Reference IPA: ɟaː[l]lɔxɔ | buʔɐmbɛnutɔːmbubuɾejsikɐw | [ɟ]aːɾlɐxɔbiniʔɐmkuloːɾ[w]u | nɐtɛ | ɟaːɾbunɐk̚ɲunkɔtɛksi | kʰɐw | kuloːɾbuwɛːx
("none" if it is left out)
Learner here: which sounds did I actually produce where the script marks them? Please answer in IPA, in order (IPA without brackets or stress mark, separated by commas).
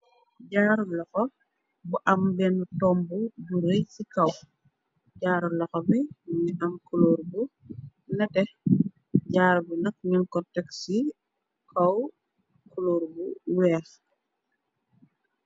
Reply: ɾ, ɟ, b